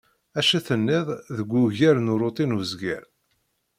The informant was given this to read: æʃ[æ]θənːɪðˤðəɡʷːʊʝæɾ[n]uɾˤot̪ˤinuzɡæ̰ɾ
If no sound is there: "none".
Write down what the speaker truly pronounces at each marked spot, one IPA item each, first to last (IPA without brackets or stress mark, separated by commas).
æ, n